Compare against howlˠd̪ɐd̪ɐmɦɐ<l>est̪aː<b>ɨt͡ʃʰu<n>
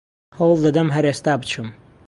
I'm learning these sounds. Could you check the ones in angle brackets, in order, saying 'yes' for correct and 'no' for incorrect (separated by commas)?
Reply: no, yes, no